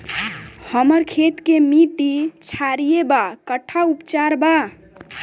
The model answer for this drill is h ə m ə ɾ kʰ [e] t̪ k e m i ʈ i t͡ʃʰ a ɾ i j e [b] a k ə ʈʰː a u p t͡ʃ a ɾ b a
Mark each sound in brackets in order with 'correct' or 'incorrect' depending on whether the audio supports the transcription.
correct, correct

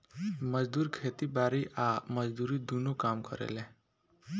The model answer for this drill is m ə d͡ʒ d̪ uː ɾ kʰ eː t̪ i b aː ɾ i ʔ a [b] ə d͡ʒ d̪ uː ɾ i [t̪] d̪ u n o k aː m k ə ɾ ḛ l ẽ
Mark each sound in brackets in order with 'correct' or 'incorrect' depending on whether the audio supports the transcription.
incorrect, incorrect

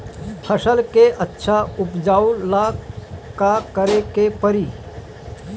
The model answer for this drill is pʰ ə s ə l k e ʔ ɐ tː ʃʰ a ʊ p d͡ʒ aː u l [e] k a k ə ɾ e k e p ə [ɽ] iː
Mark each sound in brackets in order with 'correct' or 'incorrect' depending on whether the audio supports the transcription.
incorrect, incorrect

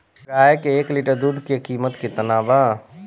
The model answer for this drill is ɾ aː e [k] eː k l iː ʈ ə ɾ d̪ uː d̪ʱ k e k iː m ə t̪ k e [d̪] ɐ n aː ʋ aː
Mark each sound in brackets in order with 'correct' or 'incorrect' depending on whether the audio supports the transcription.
correct, incorrect

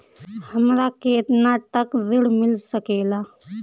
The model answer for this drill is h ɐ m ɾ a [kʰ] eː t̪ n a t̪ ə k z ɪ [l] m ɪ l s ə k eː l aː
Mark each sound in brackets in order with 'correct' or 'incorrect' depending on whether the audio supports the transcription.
incorrect, incorrect

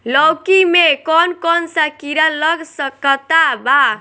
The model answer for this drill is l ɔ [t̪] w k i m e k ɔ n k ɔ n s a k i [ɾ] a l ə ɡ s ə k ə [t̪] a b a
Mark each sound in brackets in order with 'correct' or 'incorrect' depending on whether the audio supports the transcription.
incorrect, correct, correct

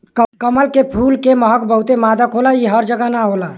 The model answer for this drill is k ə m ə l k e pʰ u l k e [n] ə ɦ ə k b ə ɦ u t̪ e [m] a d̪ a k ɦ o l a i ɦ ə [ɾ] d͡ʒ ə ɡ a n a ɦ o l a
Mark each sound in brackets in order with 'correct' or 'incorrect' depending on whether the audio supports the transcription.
incorrect, correct, correct

